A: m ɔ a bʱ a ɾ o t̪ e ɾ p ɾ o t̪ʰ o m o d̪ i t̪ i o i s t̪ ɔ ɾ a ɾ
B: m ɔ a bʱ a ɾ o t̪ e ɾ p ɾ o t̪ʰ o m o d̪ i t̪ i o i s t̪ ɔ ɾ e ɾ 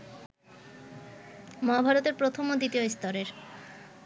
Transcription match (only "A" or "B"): B